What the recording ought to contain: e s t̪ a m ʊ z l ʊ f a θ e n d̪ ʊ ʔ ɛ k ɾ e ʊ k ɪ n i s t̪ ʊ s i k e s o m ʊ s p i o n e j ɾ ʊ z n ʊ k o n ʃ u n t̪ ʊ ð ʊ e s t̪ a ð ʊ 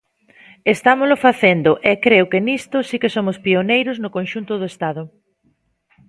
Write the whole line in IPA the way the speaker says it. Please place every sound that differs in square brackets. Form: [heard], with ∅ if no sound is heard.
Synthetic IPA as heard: e s t̪ a m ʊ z l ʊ f a θ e n d̪ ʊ ʔ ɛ k ɾ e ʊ k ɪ n i s t̪ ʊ s i k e s o m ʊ s p i o n e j ɾ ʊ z n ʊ k o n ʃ u n t̪ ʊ ð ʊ e s t̪ a ð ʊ